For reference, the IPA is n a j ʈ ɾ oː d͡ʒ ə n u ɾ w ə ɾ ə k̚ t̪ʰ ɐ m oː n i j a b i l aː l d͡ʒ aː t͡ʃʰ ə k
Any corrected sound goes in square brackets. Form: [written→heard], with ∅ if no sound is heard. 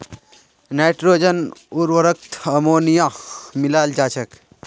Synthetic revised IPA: n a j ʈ ɾ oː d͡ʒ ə n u ɾ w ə ɾ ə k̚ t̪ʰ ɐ m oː n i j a [b→m] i l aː l d͡ʒ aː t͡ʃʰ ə k